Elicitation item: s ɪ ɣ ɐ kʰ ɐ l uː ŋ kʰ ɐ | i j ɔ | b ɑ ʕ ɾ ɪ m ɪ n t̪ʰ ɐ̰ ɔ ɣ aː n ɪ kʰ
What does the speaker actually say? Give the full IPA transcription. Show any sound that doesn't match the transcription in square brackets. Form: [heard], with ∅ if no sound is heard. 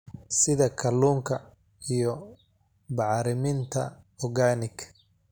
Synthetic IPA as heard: s ɪ [ð] ɐ kʰ ɐ l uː ŋ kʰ ɐ | i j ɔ | b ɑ ʕ ɾ ɪ m ɪ n t̪ʰ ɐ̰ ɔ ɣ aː n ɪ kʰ